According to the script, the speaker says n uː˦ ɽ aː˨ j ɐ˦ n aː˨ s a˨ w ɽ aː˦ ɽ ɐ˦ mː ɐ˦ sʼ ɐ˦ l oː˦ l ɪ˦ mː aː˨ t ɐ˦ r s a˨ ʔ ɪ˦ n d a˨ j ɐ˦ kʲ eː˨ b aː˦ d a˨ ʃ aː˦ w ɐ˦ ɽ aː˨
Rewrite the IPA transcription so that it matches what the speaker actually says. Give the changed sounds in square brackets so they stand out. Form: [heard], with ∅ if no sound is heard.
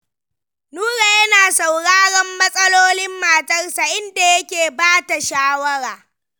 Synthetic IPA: n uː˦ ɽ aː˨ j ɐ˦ n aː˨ s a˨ w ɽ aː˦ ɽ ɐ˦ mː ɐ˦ sʼ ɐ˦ l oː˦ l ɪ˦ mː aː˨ t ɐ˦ r s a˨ ʔ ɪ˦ n d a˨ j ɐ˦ kʲ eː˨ b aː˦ [t] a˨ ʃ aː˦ w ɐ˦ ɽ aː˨